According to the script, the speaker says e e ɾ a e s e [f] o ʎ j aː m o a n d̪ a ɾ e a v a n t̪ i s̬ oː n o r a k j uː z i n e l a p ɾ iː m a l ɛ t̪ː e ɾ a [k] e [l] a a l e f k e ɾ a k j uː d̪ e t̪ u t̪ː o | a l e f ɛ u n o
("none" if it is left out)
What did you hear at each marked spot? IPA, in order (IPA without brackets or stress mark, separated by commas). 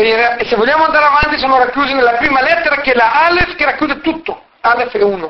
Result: v, k, l